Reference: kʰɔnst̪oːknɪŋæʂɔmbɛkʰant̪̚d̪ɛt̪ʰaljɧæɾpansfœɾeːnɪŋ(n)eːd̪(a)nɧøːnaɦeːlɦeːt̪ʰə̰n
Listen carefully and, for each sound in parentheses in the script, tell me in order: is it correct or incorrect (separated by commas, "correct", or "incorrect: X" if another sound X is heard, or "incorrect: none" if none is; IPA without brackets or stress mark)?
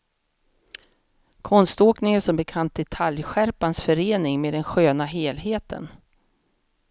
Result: incorrect: m, incorrect: ɛ